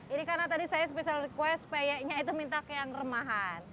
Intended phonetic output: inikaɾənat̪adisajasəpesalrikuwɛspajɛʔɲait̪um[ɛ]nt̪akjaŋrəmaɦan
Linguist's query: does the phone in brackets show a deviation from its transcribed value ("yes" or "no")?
yes